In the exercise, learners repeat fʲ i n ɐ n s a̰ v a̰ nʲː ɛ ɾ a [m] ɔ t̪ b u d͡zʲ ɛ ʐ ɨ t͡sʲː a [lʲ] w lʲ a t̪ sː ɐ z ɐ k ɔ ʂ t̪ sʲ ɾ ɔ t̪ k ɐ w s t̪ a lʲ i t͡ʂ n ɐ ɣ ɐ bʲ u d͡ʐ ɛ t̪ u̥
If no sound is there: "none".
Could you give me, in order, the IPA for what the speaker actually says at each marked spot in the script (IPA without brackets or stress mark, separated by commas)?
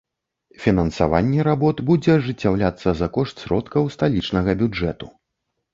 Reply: b, none